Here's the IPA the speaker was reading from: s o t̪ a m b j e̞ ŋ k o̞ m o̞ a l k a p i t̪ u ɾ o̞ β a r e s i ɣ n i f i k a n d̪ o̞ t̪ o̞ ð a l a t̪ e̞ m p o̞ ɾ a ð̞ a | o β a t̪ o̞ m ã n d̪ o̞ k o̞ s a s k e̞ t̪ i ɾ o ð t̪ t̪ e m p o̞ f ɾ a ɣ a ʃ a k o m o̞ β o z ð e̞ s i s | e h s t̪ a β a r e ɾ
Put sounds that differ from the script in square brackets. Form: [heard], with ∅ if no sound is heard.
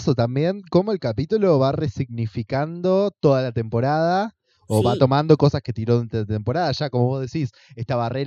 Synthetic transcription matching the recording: s o t̪ a m b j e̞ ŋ k o̞ m o̞ [e] l k a p i t̪ u [l] o̞ β a r e s i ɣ n i f i k a n d̪ o̞ t̪ o̞ ð a l a t̪ e̞ m p o̞ ɾ a ð̞ a | o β a t̪ o̞ m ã n d̪ o̞ k o̞ s a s k e̞ t̪ i ɾ o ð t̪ t̪ e m p o̞ [∅] ɾ a [ð] a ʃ a k o m o̞ β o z ð e̞ s i s | e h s t̪ a β a r e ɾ